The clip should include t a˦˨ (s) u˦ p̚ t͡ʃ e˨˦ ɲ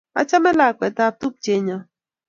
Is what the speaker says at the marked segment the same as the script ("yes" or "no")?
no